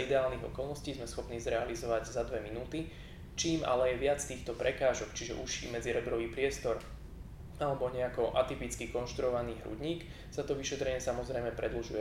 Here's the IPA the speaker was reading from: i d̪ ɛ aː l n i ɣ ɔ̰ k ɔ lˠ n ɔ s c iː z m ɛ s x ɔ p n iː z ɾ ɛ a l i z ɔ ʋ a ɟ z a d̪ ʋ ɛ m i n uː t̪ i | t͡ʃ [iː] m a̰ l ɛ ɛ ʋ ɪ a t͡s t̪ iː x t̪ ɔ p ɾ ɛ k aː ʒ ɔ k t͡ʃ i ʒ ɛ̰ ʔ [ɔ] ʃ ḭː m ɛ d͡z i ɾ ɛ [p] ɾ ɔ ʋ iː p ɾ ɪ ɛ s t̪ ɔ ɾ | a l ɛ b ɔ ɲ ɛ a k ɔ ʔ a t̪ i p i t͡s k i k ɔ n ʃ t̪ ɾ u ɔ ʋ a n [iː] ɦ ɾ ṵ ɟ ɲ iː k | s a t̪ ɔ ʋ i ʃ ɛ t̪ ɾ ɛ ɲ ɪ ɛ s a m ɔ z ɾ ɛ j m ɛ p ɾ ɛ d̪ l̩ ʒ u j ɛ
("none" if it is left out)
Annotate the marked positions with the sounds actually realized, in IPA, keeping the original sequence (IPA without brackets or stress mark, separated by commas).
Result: iː, u, b, iː